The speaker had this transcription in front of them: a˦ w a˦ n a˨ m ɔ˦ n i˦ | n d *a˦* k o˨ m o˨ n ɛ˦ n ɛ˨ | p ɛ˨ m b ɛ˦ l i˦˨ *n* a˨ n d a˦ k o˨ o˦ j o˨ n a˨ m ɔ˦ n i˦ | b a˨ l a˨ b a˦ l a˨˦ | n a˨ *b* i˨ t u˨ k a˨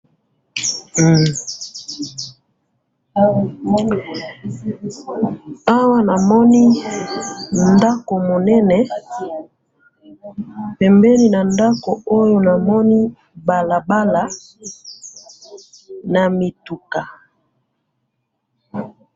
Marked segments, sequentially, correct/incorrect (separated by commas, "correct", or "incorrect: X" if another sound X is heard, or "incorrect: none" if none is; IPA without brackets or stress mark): correct, correct, incorrect: m